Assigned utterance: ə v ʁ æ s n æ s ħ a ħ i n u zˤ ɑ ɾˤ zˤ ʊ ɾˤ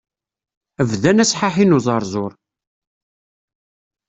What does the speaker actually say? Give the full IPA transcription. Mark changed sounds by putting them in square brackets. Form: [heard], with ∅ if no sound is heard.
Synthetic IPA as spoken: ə v [ð] æ [∅] n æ s ħ a ħ i n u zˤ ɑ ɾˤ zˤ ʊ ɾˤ